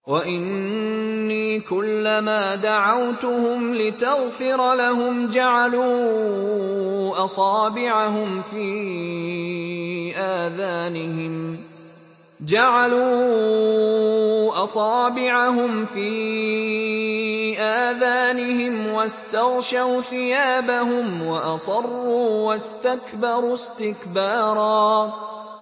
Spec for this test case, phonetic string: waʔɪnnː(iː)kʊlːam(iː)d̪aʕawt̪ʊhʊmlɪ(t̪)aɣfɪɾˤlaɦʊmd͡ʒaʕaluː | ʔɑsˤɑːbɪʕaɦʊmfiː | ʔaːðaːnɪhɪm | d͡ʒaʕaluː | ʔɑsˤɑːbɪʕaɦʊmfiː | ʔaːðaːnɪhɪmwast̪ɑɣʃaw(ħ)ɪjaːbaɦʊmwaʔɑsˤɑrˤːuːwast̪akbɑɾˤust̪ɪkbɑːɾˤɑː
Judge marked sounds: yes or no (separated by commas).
yes, no, yes, no